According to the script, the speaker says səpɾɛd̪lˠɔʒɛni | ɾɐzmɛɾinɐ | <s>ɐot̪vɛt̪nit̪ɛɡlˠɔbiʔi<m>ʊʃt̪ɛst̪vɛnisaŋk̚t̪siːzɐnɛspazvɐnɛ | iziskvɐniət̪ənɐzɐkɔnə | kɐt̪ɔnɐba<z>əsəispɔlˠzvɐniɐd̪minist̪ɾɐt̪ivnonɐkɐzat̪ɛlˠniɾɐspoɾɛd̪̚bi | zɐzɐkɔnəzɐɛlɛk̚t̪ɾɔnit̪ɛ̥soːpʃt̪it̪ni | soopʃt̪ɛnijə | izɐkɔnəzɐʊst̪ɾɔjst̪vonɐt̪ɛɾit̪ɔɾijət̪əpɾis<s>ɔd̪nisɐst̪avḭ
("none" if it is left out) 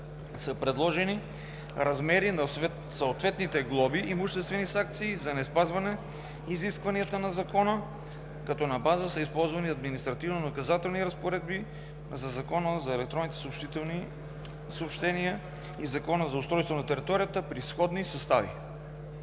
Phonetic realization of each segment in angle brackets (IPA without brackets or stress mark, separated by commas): s, m, z, x